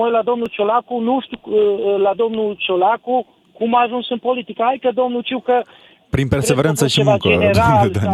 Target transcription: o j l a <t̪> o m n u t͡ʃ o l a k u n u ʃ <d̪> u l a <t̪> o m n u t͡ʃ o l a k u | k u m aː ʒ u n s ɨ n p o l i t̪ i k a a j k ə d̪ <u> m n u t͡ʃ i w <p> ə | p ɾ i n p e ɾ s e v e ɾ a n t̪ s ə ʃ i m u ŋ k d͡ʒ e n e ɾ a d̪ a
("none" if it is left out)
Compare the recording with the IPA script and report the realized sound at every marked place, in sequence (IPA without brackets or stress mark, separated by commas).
d̪, t̪, d̪, o, k